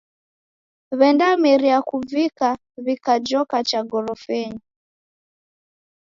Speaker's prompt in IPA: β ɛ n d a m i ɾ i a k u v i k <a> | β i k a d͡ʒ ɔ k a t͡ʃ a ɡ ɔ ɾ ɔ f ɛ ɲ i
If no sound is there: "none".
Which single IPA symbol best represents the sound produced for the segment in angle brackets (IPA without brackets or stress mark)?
a